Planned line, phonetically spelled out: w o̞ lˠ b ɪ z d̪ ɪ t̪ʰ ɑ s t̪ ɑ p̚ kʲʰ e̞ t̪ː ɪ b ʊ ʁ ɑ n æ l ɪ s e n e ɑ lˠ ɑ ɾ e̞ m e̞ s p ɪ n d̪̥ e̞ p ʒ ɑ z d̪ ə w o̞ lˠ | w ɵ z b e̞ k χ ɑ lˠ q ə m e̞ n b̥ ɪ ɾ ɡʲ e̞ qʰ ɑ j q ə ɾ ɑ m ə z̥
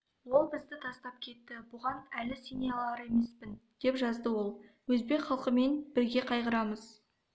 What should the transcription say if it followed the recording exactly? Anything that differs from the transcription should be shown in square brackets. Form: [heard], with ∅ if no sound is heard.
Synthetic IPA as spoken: w o̞ lˠ b ɪ z d̪ ɪ t̪ʰ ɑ s t̪ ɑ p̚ kʲʰ e̞ t̪ː ɪ b ʊ ʁ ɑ n æ l ɪ s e n e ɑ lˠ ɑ ɾ e̞ m e̞ s p ɪ n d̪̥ e̞ p ʒ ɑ z d̪ ə w o̞ lˠ | w ɵ z b e̞ k χ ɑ lˠ q ə m e̞ n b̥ ɪ ɾ ɡʲ e̞ qʰ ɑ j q ə ɾ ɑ m ə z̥